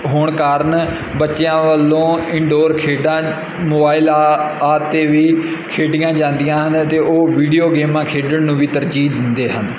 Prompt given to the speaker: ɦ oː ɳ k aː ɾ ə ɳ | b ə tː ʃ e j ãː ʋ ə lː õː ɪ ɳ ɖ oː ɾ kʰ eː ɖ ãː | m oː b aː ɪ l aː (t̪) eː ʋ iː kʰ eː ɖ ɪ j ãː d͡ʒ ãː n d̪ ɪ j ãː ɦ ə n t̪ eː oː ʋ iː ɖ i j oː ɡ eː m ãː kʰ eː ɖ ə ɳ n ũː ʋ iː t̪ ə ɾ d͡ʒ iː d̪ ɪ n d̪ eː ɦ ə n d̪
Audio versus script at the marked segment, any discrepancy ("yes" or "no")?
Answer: no